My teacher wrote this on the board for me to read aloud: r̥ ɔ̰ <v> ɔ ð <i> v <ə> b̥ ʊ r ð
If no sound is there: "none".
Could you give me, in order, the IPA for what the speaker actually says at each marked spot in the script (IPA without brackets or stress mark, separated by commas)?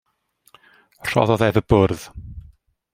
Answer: ð, ɛ, ə